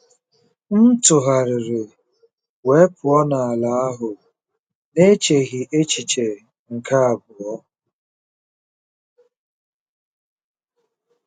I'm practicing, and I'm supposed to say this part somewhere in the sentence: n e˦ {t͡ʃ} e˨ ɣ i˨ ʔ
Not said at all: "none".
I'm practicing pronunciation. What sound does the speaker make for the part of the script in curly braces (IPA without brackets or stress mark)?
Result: t͡ʃ